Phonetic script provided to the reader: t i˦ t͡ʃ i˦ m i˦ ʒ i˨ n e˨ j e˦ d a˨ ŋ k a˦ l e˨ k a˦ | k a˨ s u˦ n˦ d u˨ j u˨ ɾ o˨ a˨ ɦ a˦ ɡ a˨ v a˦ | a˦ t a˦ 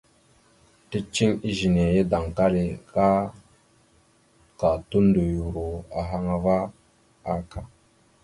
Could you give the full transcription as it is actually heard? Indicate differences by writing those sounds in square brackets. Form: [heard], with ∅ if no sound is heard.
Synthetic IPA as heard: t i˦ t͡ʃ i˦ [ŋ] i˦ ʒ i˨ n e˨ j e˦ d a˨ ŋ k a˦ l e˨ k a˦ | k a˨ [t] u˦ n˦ d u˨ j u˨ ɾ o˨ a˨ ɦ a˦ [ŋ] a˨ v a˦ | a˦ [k] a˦